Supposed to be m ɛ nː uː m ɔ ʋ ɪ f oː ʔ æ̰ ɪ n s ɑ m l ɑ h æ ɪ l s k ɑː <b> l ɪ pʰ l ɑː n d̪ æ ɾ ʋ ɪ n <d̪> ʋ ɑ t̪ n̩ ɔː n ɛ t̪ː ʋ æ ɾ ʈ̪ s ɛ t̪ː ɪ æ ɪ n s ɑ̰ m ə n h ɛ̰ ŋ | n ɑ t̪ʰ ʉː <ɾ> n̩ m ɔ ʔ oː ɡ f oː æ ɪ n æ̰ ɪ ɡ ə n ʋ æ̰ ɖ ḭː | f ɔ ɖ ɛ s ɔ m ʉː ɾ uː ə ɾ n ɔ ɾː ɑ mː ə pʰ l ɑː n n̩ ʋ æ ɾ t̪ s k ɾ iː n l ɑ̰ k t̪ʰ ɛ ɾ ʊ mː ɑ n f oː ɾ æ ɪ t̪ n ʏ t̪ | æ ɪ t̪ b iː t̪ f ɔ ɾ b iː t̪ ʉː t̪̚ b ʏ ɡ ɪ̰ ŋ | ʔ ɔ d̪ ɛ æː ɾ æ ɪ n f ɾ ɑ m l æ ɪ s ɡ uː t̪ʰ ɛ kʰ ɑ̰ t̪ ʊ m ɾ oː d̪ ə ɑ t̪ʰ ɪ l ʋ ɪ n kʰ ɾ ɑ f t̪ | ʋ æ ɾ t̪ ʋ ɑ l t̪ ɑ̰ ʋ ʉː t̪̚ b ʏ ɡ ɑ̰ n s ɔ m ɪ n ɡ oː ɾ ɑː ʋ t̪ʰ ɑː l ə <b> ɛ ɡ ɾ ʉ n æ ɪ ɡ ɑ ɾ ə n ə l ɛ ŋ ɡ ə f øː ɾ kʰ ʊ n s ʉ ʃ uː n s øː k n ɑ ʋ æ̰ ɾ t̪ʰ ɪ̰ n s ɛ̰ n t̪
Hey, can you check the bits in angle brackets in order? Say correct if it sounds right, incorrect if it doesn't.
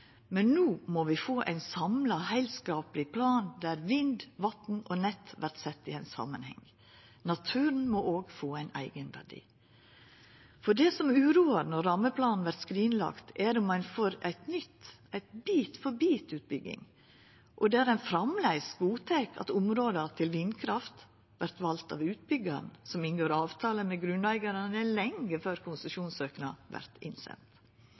incorrect: p, correct, correct, incorrect: m

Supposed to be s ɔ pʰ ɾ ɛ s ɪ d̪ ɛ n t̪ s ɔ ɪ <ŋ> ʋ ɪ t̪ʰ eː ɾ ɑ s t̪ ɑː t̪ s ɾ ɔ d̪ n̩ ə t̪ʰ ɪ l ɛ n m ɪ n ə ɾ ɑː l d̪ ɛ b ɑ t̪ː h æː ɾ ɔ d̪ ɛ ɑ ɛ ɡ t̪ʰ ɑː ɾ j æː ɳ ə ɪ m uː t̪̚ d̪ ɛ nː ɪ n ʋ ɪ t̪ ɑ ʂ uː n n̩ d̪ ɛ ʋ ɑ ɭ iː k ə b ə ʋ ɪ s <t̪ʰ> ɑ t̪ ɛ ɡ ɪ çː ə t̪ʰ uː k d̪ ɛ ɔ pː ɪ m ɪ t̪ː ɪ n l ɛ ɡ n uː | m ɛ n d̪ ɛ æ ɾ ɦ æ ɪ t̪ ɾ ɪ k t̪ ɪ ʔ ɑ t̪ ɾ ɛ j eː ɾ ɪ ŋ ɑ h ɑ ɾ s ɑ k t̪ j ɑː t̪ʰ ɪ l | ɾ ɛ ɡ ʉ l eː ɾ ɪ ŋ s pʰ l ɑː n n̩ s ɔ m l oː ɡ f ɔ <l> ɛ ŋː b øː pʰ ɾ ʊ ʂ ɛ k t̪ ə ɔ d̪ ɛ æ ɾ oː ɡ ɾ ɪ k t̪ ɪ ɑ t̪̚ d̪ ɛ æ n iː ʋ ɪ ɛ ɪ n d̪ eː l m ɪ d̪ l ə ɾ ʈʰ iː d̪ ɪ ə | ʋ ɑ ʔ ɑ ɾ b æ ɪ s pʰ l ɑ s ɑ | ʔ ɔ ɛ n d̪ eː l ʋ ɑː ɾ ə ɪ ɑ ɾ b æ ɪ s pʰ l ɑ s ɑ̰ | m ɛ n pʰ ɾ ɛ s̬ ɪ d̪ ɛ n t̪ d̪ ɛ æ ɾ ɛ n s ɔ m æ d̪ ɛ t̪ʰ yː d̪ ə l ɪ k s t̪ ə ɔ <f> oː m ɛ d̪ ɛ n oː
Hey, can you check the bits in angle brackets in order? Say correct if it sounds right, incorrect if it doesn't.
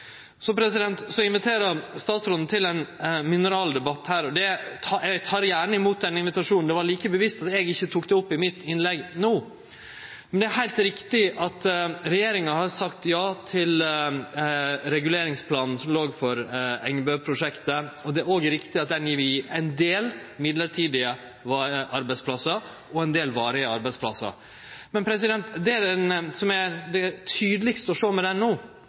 incorrect: n, incorrect: t̪, incorrect: ɾ, incorrect: ʂ

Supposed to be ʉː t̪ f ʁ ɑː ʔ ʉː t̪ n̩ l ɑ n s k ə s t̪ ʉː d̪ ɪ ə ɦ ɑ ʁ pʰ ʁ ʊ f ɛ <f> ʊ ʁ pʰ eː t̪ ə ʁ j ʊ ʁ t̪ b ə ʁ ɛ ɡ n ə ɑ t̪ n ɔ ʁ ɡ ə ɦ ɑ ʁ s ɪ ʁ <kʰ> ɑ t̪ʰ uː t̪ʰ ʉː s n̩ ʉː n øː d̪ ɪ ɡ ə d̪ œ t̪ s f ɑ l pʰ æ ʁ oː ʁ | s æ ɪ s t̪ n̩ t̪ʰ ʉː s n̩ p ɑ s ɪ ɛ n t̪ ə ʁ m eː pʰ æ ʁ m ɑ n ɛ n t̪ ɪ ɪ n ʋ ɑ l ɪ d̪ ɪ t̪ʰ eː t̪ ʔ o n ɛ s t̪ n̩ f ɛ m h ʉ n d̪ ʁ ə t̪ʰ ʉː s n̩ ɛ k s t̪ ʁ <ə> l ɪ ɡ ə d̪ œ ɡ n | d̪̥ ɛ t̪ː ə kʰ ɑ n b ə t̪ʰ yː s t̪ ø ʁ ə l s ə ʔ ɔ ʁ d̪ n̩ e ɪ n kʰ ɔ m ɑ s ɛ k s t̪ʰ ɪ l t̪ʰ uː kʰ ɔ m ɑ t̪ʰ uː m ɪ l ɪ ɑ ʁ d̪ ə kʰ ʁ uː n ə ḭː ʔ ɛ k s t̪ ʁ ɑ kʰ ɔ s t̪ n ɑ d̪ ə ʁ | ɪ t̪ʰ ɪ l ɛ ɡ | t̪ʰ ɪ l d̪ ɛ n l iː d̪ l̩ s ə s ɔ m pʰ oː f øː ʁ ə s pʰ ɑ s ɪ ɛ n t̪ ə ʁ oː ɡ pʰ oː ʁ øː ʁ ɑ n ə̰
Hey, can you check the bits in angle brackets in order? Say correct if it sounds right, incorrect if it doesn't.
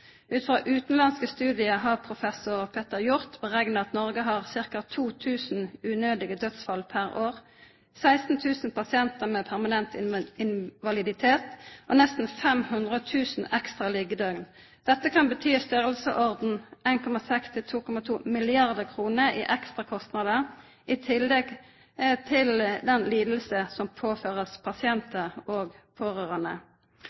incorrect: s, incorrect: k, incorrect: ɑ

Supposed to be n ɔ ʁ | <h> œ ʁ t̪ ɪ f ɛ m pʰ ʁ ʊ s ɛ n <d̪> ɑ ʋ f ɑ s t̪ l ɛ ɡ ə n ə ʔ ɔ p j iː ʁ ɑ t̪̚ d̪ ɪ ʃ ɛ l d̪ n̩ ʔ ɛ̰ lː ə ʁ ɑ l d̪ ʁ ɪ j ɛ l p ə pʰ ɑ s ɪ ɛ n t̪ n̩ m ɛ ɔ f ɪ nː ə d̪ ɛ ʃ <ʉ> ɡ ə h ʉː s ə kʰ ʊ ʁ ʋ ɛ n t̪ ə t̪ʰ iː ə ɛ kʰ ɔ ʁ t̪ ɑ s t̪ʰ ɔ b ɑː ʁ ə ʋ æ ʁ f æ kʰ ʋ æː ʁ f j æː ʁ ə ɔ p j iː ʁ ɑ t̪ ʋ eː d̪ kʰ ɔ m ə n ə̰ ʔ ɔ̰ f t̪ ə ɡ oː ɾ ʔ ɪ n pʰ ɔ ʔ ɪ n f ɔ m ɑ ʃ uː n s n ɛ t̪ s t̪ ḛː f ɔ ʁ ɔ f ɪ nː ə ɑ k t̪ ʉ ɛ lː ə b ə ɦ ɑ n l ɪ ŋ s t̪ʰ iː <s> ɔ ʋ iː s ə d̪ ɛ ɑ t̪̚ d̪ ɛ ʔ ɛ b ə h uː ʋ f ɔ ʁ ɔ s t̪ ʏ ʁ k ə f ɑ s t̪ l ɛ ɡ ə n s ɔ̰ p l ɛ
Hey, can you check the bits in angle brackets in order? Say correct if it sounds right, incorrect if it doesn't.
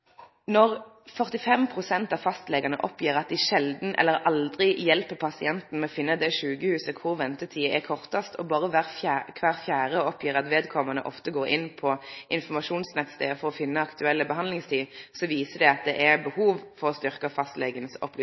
incorrect: f, incorrect: t̪, incorrect: ʉː, correct

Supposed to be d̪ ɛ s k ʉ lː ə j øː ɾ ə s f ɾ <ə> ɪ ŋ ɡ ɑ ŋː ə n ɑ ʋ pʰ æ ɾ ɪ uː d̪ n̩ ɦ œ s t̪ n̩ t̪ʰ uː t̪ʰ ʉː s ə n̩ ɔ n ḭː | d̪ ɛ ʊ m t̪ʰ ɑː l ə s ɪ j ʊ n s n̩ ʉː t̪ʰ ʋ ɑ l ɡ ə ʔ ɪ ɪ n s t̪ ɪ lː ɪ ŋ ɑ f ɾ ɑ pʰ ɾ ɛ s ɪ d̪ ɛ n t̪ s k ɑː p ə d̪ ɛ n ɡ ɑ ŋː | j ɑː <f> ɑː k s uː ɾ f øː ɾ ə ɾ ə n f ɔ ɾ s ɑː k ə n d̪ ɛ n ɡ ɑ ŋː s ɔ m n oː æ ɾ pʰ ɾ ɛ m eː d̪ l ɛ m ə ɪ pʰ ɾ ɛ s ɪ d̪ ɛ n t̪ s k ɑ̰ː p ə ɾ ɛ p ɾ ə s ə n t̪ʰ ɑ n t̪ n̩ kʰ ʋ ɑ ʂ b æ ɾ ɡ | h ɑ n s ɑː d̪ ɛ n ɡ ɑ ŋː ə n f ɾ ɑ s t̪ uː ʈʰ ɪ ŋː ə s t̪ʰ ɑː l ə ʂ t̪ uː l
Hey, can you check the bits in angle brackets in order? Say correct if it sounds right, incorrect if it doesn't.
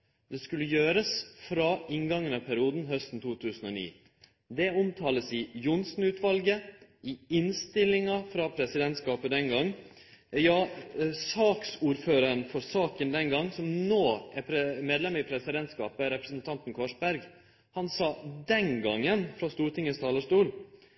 incorrect: ɑ, incorrect: s

